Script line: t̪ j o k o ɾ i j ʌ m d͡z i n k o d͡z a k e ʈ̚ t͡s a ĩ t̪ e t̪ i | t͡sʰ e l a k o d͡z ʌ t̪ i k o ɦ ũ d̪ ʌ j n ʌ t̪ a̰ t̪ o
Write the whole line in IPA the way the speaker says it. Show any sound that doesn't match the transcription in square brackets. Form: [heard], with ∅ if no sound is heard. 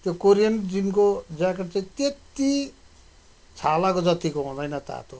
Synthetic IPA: t̪ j o k o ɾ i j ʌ [n] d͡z i n k o d͡z a k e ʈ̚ t͡s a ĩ t̪ e t̪ i | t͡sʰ [a] l a k o d͡z ʌ t̪ i k o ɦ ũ d̪ ʌ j n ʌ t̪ a̰ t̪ o

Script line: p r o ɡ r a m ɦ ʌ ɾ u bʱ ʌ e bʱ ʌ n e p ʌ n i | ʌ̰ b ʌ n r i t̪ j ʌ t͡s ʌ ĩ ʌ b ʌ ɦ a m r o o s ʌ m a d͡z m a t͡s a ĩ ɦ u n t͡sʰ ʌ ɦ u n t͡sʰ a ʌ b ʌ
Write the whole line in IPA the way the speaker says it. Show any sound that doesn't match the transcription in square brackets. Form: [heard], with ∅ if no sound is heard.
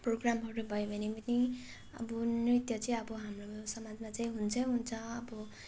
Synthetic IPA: p r o ɡ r a m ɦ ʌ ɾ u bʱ ʌ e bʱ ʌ n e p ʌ n i | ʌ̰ b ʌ n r i t̪ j ʌ t͡s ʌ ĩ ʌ b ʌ ɦ a m r o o s ʌ m a d͡z m a t͡s a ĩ ɦ u n t͡sʰ ʌ ɦ u n t͡sʰ [ʌ] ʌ b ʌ

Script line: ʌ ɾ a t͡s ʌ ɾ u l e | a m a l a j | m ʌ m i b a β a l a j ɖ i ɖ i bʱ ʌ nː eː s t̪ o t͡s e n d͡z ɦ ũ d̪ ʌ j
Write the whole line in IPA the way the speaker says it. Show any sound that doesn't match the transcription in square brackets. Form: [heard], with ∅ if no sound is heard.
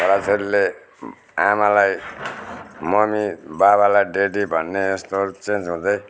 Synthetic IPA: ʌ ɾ a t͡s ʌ ɾ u l e | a m a l a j | m ʌ m i b a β a l a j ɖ [e] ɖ i bʱ ʌ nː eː s t̪ o t͡s e n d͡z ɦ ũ d̪ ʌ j

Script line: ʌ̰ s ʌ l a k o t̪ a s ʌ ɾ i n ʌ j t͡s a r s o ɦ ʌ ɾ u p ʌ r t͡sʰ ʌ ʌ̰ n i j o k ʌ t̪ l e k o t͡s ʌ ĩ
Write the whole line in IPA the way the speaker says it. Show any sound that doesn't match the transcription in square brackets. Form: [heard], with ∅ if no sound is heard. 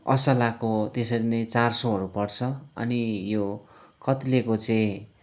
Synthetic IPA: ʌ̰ s ʌ l a k o t̪ [e] s ʌ ɾ i n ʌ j t͡s a r s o ɦ ʌ ɾ u p ʌ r t͡sʰ ʌ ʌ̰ n i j o k ʌ t̪ l e k o t͡s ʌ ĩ

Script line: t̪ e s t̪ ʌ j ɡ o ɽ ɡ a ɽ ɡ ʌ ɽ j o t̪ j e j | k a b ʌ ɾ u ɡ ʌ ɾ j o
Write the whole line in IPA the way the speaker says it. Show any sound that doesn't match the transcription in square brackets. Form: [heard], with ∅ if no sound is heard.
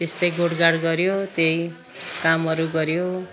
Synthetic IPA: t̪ e s t̪ ʌ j ɡ o ɽ ɡ a ɽ ɡ ʌ [ɾ] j o t̪ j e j | k a [m] ʌ ɾ u ɡ ʌ ɾ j o

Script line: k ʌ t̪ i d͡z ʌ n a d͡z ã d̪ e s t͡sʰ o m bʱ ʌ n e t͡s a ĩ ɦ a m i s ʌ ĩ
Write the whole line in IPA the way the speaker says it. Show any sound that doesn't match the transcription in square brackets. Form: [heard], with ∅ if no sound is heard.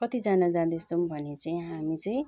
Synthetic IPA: k ʌ t̪ i d͡z [a] n a d͡z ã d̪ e s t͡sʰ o m bʱ ʌ n e t͡s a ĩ ɦ a m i [t͡s] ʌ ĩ

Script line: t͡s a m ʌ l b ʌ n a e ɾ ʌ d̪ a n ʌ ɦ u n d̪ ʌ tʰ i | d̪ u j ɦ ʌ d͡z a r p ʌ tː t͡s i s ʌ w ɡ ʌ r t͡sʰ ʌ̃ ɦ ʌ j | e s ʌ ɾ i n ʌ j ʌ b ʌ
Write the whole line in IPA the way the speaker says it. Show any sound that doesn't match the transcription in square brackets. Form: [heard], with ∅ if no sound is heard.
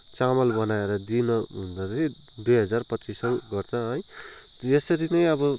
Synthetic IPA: t͡s a m ʌ l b ʌ n a e ɾ ʌ d̪ [i] n ʌ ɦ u n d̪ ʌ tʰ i | d̪ u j ɦ ʌ d͡z a r p ʌ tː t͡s i s ʌ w ɡ ʌ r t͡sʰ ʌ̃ ɦ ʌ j | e s ʌ ɾ i n ʌ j ʌ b ʌ

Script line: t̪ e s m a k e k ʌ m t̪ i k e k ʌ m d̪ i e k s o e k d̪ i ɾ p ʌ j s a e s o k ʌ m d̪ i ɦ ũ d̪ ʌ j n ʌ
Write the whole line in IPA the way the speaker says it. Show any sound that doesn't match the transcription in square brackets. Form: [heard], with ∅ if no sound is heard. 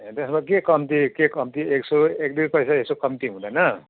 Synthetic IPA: t̪ e s m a k e k ʌ m t̪ i k e k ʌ m [t̪] i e k s o e k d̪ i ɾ p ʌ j s a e s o k ʌ m [t̪] i ɦ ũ d̪ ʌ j n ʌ

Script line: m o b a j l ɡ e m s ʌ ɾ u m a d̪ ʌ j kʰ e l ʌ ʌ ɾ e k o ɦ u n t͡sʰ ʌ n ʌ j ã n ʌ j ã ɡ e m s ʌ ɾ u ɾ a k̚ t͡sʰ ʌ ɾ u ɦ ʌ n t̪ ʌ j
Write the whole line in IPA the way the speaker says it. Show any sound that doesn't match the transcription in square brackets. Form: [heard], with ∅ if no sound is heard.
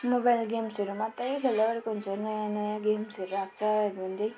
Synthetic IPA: m o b a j l ɡ e m s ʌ ɾ u m a [t̪] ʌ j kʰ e l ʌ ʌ ɾ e k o ɦ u n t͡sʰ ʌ n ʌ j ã n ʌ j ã ɡ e m s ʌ ɾ u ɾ a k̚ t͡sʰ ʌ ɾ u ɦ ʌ n [d̪] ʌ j

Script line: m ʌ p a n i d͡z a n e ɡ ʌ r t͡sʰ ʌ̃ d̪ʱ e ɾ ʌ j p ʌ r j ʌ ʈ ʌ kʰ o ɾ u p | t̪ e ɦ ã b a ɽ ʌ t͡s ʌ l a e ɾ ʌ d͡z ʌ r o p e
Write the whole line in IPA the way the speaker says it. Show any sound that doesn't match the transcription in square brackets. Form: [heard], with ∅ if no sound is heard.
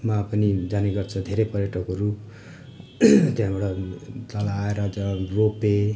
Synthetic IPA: m [a] p [ʌ] n i d͡z a n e ɡ ʌ r t͡sʰ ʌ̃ d̪ʱ e ɾ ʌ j p ʌ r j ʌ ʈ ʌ [k] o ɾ u p | t̪ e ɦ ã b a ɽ ʌ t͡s ʌ l a e ɾ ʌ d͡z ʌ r o p e

